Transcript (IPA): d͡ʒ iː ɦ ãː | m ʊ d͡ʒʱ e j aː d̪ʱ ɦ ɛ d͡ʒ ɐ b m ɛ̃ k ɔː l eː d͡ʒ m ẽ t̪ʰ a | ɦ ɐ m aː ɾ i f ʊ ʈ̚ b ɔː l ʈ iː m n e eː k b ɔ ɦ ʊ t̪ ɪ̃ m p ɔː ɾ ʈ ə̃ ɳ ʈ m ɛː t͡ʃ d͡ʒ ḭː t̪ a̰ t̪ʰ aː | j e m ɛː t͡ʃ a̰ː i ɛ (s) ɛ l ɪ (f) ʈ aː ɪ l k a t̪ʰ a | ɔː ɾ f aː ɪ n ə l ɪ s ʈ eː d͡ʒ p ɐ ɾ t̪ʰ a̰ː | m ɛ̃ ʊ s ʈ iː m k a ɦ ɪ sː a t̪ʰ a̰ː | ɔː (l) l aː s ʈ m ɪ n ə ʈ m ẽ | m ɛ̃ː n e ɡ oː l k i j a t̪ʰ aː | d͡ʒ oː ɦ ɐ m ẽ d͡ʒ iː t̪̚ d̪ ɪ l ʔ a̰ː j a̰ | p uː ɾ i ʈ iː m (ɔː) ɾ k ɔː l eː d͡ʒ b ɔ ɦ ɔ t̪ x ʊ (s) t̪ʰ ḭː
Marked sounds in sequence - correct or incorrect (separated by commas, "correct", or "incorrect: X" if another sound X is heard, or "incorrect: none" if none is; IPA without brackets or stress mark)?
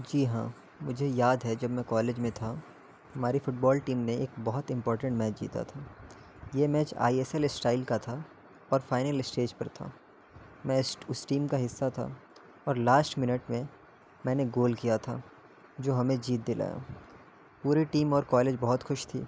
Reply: correct, incorrect: s, incorrect: ɾ, correct, incorrect: ʃ